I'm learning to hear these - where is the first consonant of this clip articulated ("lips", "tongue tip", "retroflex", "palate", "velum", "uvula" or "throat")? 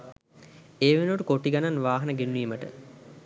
lips